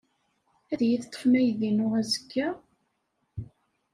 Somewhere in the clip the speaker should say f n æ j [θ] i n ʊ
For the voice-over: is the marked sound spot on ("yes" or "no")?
no